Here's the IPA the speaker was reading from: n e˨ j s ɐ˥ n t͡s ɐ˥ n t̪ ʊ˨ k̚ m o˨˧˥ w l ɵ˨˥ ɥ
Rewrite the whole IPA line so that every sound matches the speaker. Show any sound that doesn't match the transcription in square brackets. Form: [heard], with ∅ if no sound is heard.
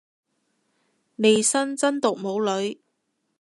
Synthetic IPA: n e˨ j s ɐ˥ n t͡s ɐ˥ n t̪ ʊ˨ k̚ m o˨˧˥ w l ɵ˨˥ ɥ